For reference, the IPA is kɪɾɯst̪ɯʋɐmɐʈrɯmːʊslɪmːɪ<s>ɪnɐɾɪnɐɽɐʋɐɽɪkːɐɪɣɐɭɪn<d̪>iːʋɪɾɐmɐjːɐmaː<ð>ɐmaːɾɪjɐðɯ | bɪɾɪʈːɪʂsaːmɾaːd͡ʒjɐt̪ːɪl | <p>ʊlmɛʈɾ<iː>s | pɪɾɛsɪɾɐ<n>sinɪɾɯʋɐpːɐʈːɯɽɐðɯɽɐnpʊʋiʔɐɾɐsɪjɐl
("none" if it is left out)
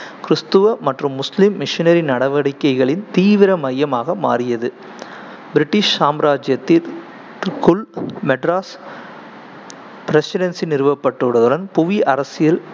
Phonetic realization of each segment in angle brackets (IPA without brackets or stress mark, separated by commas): ʂ, t̪, ɣ, k, aː, n